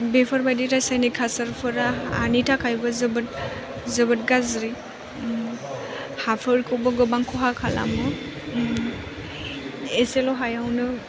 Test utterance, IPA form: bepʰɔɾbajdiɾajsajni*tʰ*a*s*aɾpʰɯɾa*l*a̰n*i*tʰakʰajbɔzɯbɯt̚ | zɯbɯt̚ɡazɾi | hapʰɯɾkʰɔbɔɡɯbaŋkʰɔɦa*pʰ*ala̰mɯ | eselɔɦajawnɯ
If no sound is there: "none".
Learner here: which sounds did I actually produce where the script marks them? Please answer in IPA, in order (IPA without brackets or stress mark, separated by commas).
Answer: kʰ, s, none, i, kʰ